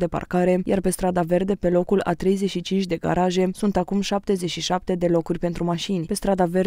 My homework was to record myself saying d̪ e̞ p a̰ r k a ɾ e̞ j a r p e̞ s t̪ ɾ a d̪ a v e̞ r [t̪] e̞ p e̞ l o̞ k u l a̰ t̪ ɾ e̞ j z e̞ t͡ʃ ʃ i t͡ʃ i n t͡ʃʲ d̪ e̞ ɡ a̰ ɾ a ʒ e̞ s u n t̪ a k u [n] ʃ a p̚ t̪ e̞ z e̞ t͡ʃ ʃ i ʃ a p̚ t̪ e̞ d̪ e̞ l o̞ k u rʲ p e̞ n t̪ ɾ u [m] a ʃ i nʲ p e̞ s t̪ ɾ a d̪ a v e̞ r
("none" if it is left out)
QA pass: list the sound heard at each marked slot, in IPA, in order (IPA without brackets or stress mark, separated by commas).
d̪, m, m